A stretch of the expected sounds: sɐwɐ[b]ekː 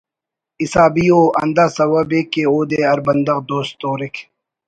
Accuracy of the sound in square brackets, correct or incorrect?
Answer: correct